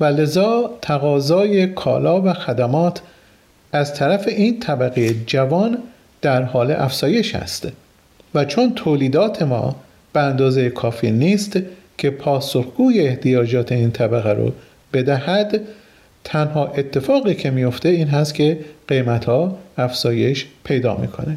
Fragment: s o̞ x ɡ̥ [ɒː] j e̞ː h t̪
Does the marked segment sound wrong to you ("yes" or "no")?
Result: yes